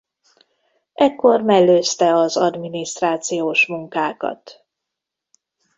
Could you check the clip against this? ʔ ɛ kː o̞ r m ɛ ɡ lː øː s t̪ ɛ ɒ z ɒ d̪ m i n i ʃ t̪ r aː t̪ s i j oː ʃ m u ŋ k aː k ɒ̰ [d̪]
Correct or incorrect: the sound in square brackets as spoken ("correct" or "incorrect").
incorrect